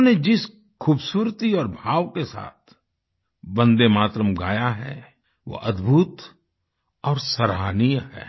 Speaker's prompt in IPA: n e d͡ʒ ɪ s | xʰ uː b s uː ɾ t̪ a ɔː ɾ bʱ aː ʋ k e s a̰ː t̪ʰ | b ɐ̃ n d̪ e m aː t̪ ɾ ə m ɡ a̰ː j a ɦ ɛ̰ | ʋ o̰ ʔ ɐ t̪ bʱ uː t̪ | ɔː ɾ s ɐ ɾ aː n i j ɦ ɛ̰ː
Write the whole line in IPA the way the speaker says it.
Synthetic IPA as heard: n e d͡ʒ ɪ s | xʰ uː b s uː ɾ t̪ i ɔː ɾ bʱ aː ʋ k e s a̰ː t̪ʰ | b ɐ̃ n d̪ e m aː t̪ ɾ ə m ɡ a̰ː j a ɦ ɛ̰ | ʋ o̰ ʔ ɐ d̪ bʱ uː t̪ | ɔː ɾ s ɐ ɾ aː n i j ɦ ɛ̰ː